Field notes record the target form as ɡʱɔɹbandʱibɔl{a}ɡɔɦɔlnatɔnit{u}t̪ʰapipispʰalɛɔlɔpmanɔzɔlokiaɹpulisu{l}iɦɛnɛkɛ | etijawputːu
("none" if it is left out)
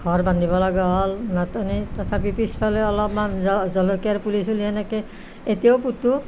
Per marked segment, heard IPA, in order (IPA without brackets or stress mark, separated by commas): a, ɔ, l